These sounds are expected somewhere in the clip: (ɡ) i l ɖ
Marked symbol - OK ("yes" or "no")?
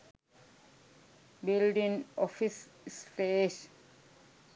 no